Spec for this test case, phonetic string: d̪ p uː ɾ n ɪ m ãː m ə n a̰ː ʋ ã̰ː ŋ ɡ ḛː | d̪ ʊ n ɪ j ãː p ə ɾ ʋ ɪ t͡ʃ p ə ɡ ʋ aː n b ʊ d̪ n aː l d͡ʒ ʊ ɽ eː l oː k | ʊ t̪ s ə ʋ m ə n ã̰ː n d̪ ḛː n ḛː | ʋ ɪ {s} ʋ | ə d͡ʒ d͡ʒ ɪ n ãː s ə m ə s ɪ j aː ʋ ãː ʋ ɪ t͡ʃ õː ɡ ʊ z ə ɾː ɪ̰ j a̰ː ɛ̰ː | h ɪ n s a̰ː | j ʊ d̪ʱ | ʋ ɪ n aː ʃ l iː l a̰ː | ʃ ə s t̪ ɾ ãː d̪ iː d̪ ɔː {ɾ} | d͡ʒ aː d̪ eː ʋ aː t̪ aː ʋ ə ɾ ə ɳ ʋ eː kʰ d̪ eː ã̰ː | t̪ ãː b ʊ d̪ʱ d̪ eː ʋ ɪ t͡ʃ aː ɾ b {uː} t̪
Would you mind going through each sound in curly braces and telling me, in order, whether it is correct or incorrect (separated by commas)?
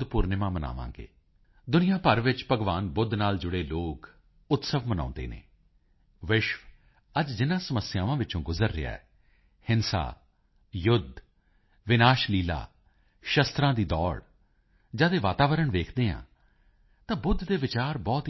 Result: incorrect, incorrect, incorrect